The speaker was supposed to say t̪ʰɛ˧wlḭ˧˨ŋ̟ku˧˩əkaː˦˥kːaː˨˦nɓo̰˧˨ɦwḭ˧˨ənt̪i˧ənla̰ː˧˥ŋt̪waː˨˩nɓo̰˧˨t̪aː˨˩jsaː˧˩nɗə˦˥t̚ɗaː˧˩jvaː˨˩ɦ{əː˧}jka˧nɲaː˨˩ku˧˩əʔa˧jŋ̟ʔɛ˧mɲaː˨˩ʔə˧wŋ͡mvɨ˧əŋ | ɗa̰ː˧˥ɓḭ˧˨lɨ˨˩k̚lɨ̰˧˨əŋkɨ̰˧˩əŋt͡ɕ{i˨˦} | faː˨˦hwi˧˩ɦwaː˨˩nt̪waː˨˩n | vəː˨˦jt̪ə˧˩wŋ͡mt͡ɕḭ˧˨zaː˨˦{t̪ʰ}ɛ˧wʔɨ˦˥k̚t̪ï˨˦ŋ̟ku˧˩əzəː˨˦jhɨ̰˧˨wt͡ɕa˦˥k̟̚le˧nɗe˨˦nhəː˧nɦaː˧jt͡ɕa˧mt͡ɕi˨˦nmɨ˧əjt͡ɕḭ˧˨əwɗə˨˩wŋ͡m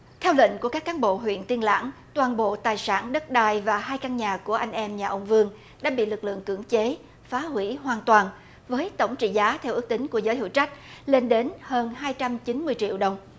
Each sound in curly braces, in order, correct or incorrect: incorrect: aː˧, incorrect: e˨˦, correct

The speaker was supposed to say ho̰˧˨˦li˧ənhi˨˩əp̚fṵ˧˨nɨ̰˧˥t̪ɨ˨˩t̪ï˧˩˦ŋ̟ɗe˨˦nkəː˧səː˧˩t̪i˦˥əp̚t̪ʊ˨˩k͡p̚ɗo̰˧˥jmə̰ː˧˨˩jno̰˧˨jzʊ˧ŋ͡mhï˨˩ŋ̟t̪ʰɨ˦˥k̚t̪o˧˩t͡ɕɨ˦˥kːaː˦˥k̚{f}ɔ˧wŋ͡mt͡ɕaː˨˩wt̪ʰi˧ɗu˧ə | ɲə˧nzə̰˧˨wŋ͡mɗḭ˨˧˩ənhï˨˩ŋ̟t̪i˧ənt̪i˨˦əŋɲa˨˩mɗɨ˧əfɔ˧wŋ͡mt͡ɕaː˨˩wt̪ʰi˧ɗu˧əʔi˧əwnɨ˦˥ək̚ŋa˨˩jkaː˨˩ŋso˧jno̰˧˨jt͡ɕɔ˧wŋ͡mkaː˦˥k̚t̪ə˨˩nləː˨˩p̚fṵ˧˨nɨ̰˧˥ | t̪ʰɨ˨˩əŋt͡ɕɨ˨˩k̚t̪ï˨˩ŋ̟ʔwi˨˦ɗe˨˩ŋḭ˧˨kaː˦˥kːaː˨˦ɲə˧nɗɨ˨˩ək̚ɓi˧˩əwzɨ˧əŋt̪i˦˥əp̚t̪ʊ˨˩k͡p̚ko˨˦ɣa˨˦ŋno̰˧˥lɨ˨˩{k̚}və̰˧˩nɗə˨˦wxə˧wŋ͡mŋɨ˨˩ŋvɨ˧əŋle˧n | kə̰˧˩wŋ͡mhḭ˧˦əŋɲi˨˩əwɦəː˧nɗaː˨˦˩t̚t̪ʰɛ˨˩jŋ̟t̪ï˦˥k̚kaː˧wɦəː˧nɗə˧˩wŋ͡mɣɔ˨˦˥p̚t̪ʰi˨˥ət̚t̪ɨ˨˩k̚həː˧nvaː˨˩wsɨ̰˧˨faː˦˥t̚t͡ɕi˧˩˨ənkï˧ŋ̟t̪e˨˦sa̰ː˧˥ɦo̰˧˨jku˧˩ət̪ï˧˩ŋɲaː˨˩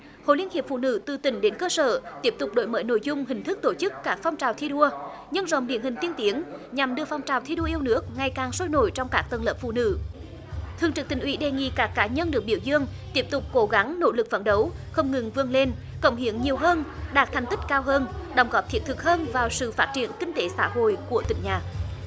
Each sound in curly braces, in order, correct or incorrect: correct, correct

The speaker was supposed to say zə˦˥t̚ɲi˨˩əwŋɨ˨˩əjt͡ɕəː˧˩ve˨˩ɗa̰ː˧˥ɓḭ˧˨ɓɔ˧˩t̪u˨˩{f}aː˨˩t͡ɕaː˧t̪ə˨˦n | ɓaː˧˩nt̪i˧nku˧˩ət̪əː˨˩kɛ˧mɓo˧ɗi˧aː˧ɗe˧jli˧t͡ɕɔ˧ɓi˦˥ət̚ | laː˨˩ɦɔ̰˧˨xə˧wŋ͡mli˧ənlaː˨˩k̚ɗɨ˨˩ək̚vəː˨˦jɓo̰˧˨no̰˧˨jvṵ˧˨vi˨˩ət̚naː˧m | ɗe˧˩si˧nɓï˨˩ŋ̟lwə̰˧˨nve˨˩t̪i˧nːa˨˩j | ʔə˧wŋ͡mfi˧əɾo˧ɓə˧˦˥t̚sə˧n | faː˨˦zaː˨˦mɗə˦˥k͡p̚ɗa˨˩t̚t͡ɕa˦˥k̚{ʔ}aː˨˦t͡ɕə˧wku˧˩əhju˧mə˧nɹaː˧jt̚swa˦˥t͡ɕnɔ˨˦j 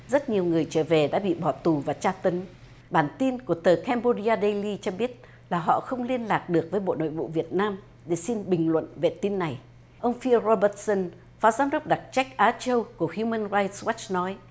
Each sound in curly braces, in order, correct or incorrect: incorrect: v, correct

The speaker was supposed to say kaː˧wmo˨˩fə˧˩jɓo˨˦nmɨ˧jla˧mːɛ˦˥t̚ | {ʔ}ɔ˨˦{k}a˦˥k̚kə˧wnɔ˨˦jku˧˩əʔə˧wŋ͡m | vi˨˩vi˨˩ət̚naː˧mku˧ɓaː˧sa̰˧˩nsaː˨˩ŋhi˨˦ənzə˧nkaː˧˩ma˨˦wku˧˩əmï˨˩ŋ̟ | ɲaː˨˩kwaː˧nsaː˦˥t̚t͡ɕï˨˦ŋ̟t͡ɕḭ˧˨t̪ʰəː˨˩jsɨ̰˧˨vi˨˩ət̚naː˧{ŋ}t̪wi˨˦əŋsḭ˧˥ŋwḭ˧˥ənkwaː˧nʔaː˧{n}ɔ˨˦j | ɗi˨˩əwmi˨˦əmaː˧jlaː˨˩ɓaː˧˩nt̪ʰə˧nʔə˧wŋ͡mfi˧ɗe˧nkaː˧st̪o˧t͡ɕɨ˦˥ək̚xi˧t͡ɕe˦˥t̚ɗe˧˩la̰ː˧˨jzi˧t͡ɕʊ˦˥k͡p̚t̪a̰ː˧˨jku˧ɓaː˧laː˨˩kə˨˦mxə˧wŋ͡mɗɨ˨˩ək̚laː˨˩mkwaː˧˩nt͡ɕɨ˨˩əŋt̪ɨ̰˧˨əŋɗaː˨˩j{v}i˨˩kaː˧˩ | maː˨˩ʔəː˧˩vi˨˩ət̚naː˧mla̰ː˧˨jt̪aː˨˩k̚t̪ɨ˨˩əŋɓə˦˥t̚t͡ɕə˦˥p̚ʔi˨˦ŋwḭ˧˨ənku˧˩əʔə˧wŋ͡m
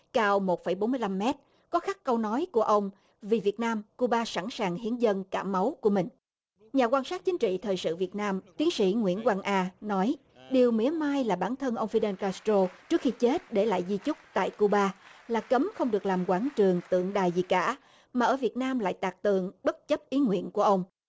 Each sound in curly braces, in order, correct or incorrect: incorrect: k, incorrect: x, incorrect: m, correct, incorrect: z

